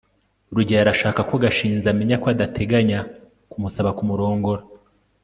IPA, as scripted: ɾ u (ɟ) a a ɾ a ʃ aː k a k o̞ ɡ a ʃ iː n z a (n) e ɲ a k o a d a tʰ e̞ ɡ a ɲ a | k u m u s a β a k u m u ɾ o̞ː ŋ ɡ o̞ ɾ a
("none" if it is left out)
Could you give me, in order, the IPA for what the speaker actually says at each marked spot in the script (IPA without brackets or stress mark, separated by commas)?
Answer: ɟ, m